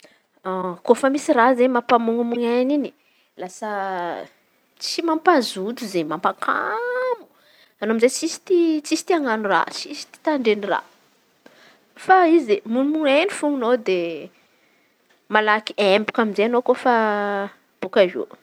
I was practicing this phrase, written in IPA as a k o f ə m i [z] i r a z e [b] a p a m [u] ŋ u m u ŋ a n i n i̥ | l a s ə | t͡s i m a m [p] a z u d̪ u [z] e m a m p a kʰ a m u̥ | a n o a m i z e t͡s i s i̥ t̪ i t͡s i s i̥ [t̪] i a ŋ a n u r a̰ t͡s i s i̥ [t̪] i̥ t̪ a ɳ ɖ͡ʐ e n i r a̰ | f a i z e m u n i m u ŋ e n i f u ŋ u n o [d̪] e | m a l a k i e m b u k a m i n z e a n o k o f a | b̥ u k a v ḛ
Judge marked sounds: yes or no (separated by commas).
no, no, yes, yes, yes, yes, yes, yes